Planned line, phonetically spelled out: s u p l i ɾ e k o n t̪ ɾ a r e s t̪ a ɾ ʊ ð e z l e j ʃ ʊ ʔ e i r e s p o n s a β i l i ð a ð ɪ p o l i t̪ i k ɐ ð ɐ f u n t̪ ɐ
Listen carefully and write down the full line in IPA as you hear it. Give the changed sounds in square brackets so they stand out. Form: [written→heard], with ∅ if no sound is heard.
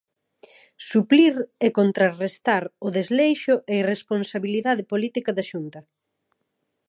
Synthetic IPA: s u p l i ɾ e k o n t̪ ɾ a r e s t̪ a ɾ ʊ ð e z l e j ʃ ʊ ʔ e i r e s p o n s a β i l i ð a ð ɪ p o l i t̪ i k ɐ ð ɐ [f→ʃ] u n t̪ ɐ